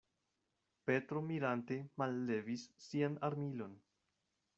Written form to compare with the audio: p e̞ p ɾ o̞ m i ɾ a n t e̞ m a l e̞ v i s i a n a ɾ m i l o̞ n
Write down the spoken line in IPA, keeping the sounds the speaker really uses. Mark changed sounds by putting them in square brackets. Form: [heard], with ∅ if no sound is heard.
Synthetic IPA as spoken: p e̞ [t] ɾ o̞ m i ɾ a n t e̞ m a [lː] e̞ v i [sː] i a n a ɾ m i l o̞ n